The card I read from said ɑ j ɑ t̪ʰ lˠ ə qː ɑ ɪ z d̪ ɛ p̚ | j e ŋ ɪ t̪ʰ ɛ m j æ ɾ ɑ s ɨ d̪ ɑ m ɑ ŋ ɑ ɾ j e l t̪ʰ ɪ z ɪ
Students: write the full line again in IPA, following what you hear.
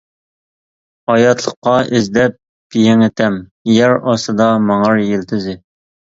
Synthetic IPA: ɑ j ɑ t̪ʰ lˠ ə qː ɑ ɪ z d̪ ɛ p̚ | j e ŋ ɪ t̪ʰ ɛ m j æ ɾ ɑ s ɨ d̪ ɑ m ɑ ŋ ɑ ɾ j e l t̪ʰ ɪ z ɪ